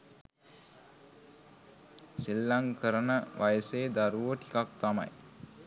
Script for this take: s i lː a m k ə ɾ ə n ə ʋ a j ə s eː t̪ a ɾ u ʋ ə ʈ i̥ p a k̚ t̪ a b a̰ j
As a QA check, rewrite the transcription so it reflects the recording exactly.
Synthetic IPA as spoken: s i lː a ŋ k ə ɾ ə n ə ʋ a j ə s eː d̪ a ɾ u ʋ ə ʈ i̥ k a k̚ t̪ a m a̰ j

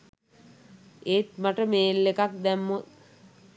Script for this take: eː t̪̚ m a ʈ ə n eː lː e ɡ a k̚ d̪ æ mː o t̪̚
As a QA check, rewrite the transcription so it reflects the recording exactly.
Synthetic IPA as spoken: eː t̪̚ m a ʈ ə m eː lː e k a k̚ d̪ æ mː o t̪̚

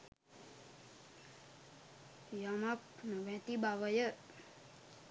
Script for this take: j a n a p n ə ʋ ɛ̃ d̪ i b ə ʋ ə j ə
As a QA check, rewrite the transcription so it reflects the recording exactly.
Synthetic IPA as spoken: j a m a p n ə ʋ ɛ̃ t̪ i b a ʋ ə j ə

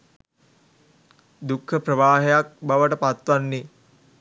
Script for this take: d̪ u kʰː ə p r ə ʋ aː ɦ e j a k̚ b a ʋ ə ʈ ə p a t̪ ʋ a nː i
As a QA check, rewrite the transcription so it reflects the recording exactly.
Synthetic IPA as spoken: d̪ u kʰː ə p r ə ʋ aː ɦ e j a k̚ b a ʋ ə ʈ ə p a t̪ ʋ a nː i

